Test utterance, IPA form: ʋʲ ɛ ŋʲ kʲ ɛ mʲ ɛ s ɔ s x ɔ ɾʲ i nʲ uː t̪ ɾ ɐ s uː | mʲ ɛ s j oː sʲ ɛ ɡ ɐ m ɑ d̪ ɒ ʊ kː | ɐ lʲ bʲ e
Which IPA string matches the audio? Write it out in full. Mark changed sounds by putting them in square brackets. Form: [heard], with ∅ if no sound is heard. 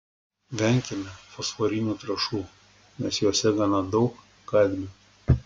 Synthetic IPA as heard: ʋʲ ɛ ŋʲ kʲ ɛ mʲ ɛ [f] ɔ s [f] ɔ ɾʲ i nʲ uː t̪ ɾ ɐ [ʃ] uː | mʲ ɛ s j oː sʲ ɛ ɡ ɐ [n] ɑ d̪ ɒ ʊ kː | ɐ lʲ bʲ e